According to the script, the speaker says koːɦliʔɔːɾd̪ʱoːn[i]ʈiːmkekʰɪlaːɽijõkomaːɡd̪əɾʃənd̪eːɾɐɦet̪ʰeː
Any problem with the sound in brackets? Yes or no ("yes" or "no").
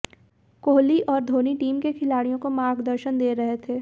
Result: no